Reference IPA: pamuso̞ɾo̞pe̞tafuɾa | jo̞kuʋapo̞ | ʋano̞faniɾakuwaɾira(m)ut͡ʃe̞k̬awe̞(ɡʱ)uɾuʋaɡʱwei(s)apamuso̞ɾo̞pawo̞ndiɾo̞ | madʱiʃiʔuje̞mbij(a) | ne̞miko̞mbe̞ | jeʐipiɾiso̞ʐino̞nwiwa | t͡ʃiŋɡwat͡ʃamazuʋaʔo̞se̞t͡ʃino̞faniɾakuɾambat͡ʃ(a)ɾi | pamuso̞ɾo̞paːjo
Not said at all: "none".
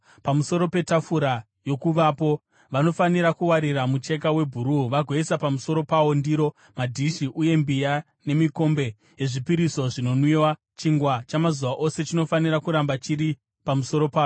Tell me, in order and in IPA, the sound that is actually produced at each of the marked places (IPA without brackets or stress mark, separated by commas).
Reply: m, bʱ, s, a, i